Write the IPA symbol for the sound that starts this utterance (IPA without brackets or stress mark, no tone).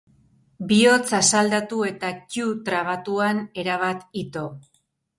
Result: b